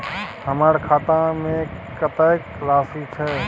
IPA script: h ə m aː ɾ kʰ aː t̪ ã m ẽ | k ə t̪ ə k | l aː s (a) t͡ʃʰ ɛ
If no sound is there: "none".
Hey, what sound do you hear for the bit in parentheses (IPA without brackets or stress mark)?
i